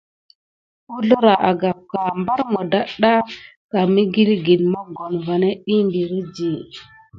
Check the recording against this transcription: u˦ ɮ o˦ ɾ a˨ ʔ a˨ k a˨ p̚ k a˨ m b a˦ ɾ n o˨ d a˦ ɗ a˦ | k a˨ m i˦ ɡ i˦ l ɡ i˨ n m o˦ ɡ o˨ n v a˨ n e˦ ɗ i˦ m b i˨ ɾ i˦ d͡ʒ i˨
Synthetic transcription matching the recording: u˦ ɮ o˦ ɾ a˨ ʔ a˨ ɡ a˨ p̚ k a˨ m b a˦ ɾ m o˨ d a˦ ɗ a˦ | k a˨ m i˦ ɡ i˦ l ɡ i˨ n m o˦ ɡ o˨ n v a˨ n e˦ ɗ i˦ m b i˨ ɾ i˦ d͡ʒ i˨